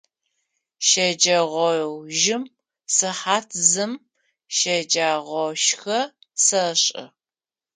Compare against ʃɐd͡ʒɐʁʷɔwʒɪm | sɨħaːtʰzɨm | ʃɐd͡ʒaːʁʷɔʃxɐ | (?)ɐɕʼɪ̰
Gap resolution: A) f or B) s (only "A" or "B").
B